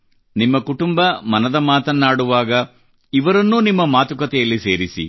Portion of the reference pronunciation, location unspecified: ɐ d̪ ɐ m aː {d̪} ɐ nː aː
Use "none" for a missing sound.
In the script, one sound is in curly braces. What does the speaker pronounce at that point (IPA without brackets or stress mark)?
t̪